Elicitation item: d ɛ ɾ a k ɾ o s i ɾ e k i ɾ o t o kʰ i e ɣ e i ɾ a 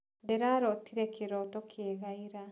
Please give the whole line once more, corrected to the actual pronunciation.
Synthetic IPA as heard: d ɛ ɾ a ɾ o t i ɾ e k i ɾ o t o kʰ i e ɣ a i ɾ a